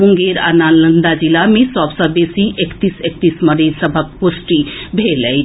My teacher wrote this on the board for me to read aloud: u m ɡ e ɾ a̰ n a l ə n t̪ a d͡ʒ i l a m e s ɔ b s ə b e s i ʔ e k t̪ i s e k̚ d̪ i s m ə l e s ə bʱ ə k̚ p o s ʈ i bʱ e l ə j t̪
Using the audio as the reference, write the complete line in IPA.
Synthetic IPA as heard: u ŋ ɡ e ɾ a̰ n a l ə n d̪ a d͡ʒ i l a m e s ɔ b s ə b e s i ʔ e k t̪ i s e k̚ t̪ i s m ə ɾ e s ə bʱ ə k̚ p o s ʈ i bʱ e l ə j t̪